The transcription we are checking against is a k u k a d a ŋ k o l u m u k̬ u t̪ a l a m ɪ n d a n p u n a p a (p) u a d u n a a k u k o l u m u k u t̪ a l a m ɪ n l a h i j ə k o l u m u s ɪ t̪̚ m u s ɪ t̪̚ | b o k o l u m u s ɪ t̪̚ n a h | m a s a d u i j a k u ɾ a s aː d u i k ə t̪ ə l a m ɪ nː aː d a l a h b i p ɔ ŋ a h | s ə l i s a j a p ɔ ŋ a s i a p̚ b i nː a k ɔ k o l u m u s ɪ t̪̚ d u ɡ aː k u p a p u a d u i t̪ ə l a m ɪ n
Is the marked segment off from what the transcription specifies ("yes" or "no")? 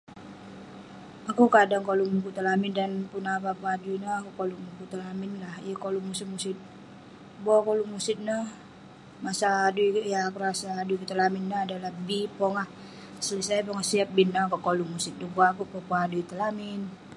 no